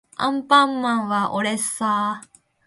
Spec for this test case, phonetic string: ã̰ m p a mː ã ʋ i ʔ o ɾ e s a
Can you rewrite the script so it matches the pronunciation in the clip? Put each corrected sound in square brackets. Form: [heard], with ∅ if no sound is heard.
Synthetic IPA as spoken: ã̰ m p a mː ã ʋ [a] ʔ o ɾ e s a